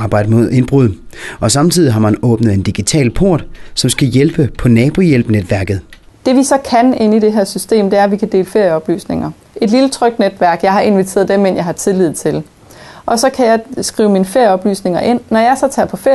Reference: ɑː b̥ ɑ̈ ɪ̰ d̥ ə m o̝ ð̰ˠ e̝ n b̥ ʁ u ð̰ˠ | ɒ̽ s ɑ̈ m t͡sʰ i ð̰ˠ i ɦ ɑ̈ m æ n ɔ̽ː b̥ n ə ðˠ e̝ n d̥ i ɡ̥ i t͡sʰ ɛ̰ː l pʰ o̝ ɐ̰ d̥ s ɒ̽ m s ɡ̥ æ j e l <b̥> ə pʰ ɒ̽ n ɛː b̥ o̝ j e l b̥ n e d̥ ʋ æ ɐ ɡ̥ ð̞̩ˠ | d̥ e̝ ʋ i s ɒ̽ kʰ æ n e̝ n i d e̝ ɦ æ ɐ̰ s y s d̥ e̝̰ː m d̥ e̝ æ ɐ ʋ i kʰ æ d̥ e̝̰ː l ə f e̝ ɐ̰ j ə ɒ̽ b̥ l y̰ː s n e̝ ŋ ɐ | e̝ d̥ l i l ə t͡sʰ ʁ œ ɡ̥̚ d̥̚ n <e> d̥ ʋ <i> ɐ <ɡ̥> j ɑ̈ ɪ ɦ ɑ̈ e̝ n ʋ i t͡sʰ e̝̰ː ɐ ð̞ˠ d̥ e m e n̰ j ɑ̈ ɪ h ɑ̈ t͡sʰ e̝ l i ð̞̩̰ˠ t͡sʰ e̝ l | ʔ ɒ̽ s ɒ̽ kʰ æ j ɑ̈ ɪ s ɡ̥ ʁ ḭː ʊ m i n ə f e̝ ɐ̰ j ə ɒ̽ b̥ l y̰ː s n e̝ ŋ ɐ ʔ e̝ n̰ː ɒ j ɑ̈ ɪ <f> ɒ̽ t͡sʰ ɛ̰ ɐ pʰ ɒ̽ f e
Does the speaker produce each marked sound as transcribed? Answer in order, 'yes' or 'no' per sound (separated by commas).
yes, yes, no, yes, no